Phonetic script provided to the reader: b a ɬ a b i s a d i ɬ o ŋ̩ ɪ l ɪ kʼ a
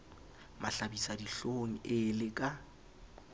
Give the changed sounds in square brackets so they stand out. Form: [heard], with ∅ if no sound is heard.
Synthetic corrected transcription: [m] a ɬ a b i s a d i ɬ o ŋ̩ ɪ l ɪ kʼ a

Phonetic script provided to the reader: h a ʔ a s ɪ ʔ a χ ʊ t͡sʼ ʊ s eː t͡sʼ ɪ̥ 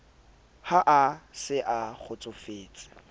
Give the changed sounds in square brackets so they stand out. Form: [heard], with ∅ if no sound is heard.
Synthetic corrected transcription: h a ʔ a s ɪ ʔ a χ ʊ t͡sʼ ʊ [f] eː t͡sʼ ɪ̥

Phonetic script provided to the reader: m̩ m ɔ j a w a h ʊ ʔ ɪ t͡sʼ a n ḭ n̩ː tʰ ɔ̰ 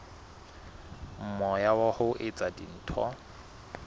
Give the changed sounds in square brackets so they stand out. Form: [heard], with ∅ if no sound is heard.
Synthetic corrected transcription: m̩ m ɔ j a w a h ʊ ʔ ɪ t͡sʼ a [d] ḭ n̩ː tʰ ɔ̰

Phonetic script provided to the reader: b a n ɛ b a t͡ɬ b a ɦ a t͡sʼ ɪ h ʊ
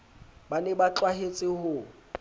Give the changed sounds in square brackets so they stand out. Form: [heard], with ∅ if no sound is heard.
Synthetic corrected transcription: b a n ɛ b a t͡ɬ [w] a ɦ [e] t͡sʼ ɪ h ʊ

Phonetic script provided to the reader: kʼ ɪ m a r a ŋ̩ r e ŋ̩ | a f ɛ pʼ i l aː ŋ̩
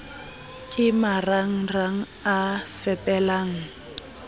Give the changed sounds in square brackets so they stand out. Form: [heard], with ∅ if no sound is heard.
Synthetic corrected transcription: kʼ ɪ m a r a ŋ̩ r [a] ŋ̩ | a f ɛ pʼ [ɛ] l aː ŋ̩

